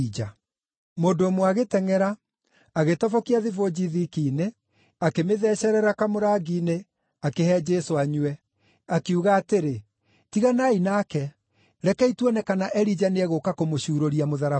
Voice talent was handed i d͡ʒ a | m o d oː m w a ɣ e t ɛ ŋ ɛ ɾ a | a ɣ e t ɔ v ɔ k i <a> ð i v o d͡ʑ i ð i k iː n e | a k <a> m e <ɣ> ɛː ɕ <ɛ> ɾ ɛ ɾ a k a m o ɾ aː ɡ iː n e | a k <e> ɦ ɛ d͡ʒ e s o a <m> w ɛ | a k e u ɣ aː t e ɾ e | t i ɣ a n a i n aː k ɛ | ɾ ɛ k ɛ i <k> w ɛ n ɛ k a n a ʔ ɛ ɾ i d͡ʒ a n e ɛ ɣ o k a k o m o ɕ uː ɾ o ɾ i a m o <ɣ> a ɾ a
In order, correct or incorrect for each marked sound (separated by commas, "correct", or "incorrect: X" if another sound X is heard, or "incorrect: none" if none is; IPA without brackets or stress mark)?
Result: correct, incorrect: e, incorrect: ð, correct, correct, incorrect: ɲ, incorrect: t, incorrect: ð